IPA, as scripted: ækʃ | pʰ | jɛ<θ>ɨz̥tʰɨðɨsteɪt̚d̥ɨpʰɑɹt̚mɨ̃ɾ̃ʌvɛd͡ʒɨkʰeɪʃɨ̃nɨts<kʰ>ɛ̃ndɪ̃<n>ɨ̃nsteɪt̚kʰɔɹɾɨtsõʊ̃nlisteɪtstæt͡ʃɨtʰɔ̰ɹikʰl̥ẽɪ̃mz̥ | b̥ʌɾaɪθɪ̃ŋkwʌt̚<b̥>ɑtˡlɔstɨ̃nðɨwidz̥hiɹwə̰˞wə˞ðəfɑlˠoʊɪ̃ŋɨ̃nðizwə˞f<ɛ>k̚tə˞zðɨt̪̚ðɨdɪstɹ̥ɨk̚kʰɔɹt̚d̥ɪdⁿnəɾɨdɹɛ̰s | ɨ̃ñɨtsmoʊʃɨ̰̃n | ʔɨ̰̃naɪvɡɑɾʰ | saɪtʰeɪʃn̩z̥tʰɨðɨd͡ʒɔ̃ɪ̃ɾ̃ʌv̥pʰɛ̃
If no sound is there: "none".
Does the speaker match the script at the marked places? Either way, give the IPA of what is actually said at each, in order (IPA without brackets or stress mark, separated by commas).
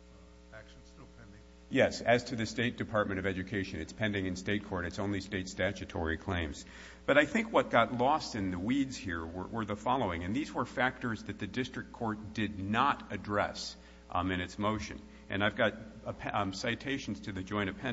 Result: s, pʰ, ŋ, ɡ̥, æ